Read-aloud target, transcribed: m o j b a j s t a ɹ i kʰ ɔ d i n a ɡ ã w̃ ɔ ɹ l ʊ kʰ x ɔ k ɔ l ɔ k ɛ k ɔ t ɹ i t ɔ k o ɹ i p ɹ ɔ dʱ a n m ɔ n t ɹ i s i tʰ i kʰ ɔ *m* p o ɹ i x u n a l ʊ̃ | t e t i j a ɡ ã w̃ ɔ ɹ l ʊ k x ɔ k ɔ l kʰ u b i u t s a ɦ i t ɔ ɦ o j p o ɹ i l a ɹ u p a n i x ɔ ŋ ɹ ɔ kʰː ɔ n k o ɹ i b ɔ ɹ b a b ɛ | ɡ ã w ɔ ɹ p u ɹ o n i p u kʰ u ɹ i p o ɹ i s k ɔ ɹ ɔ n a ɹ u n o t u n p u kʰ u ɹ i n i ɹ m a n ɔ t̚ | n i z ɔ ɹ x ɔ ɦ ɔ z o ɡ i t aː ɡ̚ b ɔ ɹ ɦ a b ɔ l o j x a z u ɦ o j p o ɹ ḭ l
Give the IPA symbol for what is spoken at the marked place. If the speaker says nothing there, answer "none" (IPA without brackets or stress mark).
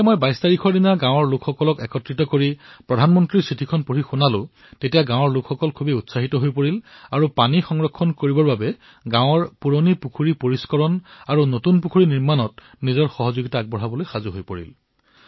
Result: n